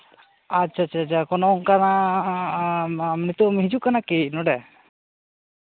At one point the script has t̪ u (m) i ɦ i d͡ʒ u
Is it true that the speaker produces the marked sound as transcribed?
yes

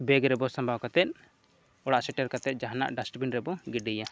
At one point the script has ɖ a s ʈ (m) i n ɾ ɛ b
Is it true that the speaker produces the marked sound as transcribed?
no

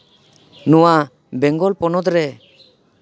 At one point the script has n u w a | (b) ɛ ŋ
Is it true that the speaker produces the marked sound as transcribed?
yes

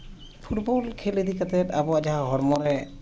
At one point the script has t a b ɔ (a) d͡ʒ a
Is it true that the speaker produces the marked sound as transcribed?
yes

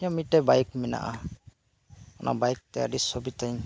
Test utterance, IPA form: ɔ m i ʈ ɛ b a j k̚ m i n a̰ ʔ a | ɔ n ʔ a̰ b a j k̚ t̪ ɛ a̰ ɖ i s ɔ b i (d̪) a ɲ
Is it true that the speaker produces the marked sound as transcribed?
no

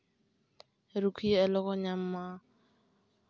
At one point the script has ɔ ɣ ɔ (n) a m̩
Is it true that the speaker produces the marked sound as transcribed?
no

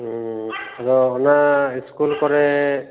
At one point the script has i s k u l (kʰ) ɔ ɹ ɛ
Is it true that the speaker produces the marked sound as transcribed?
no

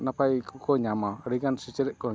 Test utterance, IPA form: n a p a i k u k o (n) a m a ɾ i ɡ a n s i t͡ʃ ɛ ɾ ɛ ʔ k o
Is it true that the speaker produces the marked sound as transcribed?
no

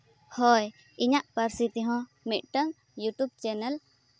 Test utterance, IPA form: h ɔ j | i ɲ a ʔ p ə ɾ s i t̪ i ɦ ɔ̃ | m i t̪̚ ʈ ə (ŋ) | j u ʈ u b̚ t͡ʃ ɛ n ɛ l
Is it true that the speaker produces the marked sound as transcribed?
yes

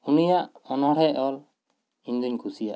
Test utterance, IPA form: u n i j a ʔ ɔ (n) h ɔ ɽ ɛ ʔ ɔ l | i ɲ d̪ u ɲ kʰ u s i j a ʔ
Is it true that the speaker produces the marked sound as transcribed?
yes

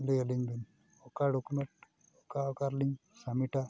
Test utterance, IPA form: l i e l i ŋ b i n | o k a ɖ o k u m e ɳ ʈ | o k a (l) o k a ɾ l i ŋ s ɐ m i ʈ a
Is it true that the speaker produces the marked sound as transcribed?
no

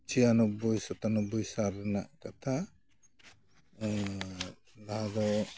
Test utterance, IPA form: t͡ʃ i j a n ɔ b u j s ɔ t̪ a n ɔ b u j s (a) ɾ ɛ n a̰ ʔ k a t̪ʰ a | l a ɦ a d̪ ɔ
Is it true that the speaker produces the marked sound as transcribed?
yes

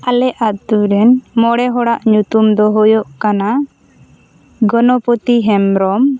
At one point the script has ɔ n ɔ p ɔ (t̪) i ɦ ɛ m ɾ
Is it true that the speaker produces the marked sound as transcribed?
yes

